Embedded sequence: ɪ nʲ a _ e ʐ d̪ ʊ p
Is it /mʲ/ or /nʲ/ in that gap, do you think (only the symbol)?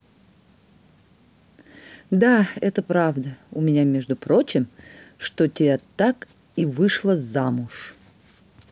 mʲ